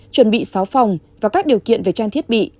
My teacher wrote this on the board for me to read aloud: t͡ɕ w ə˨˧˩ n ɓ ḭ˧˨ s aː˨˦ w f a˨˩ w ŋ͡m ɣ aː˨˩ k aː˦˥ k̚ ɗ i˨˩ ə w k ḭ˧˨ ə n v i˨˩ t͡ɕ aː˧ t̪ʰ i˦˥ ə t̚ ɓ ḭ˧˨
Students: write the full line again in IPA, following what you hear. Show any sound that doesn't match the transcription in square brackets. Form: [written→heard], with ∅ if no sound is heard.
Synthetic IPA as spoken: t͡ɕ w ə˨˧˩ n ɓ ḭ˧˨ s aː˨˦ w f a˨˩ w ŋ͡m [ɣ→v] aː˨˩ k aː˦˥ k̚ ɗ i˨˩ ə w k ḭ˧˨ ə n v [i˨˩→e˨˩] t͡ɕ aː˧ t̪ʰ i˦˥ ə t̚ ɓ ḭ˧˨